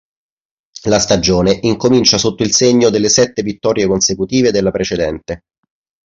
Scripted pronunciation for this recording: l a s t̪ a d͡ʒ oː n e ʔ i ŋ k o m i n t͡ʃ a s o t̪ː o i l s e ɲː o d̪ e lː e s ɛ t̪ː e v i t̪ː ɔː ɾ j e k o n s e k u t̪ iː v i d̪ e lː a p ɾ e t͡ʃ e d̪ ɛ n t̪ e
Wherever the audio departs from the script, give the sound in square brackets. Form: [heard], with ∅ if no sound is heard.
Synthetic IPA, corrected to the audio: l a s t̪ a d͡ʒ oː n e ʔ i ŋ k o m i n t͡ʃ a s o t̪ː o i l s e ɲː o d̪ e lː e s ɛ t̪ː e v i t̪ː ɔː ɾ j e k o n s e k u t̪ iː v [e] d̪ e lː a p ɾ e t͡ʃ e d̪ ɛ n t̪ e